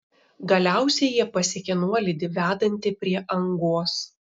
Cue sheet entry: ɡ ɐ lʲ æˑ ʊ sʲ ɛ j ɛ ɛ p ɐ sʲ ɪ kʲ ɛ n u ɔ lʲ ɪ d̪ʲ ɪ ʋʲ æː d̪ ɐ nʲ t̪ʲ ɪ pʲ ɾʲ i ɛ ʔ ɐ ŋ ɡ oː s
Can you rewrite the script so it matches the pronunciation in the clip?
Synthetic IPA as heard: ɡ ɐ lʲ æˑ ʊ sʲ ɛ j i ɛ p ɐ sʲ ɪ kʲ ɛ n u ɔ lʲ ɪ d̪ʲ ɪ ʋʲ æː d̪ ɐ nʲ t̪ʲ ɪ pʲ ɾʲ i ɛ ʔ ɐ ŋ ɡ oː s